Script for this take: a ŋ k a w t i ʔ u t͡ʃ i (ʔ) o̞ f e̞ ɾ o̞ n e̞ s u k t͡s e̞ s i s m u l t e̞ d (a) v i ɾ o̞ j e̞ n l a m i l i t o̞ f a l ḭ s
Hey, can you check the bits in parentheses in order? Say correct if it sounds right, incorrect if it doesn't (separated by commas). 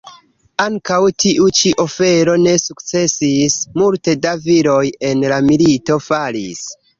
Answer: correct, correct